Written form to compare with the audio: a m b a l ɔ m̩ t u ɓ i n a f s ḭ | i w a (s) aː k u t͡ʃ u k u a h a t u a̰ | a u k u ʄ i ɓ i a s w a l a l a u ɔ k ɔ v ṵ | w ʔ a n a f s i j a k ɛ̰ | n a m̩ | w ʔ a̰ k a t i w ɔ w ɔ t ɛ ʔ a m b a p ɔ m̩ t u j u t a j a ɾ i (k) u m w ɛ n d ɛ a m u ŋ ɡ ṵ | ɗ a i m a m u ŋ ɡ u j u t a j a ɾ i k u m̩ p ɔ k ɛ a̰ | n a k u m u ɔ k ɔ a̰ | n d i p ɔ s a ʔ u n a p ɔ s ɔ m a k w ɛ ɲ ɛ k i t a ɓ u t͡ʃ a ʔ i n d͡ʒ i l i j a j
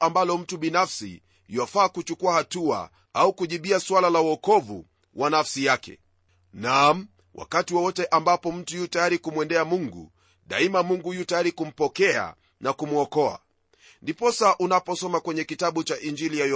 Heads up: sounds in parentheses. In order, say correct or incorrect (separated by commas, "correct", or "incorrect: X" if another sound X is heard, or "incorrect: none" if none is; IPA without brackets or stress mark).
incorrect: f, correct